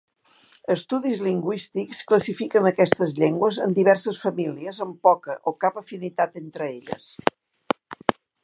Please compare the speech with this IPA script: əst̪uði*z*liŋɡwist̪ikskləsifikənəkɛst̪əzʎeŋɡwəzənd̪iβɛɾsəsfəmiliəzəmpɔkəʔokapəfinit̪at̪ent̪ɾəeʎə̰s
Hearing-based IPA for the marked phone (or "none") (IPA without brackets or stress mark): z